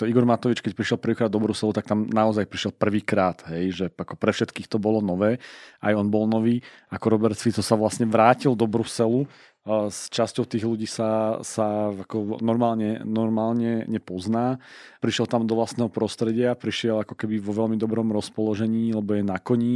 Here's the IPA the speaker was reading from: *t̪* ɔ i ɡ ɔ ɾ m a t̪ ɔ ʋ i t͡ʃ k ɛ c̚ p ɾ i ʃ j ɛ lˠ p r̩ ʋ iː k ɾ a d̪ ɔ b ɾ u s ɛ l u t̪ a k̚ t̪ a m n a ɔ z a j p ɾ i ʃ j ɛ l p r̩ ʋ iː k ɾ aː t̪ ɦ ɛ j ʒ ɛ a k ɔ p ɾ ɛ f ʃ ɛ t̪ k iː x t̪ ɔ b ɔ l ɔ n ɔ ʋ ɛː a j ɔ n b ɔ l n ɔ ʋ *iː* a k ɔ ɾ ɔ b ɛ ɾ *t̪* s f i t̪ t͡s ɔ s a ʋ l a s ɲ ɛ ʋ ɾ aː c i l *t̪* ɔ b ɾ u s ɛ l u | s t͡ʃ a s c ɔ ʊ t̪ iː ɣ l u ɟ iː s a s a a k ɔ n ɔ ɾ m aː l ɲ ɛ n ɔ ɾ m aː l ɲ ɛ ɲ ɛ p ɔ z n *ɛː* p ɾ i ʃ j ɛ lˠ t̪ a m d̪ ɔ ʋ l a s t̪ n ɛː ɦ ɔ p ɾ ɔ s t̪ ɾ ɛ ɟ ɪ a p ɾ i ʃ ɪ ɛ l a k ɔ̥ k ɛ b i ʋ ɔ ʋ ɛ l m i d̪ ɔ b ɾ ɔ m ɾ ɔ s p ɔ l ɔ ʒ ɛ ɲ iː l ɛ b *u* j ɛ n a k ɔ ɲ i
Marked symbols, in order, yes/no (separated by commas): yes, yes, yes, no, no, no